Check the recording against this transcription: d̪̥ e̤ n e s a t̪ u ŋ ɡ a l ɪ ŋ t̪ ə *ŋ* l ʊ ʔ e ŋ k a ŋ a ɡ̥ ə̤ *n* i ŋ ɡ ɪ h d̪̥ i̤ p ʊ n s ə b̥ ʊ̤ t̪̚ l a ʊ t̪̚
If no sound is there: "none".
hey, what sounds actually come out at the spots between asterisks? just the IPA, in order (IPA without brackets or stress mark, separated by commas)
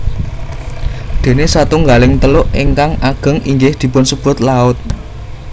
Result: none, ŋ